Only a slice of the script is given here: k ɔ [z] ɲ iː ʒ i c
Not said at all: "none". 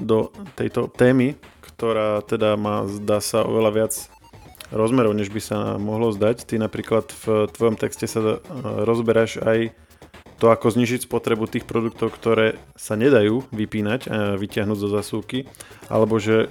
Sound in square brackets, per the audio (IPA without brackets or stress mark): z